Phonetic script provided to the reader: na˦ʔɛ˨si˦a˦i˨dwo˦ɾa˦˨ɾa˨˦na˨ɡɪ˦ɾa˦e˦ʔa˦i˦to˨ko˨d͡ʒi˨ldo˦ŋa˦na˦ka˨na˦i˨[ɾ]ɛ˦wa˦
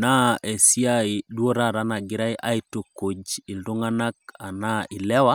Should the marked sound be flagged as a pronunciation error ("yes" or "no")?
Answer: yes